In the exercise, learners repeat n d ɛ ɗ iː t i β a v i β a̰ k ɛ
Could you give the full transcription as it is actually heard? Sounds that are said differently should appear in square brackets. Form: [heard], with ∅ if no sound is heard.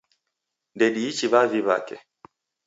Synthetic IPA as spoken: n d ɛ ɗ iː [t͡ʃ] i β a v i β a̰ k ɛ